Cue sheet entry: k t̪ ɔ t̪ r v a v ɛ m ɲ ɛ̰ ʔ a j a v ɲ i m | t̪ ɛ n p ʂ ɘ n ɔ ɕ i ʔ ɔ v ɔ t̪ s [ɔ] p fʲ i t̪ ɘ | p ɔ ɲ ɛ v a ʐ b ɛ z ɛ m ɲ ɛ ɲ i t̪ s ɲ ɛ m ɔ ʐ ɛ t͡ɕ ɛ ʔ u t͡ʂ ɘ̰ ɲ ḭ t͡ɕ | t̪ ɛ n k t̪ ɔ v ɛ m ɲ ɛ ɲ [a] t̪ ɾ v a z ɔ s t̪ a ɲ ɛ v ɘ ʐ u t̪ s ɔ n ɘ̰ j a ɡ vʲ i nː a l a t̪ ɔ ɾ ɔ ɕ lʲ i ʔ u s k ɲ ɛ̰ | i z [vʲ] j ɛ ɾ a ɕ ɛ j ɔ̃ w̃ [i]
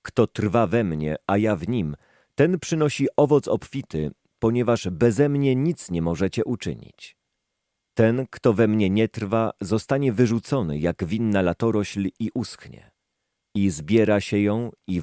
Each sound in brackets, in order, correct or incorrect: correct, incorrect: ɛ, incorrect: bʲ, correct

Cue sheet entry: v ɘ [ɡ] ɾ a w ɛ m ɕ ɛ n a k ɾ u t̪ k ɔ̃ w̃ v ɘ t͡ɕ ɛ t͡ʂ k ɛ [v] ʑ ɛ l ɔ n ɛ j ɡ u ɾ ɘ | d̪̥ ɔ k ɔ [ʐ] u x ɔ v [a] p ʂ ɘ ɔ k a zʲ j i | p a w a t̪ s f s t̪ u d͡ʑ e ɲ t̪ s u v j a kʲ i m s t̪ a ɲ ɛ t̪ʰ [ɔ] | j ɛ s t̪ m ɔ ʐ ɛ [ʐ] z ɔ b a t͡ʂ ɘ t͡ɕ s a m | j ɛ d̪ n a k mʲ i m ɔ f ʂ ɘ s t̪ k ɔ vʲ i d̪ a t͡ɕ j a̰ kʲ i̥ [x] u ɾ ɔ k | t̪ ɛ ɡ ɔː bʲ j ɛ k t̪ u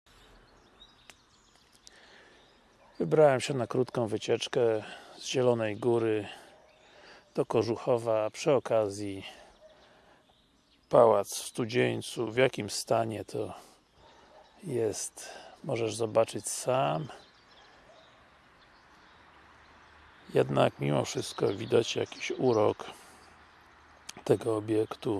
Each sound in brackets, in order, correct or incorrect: incorrect: b, incorrect: z, correct, correct, correct, correct, incorrect: ɕ

